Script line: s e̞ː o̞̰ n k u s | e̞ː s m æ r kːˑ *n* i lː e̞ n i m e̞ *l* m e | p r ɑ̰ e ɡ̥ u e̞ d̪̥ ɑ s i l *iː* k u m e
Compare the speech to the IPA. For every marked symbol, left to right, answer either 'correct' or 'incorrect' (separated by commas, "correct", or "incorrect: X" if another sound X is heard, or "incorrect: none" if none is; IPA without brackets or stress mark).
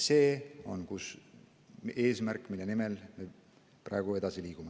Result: incorrect: m, correct, correct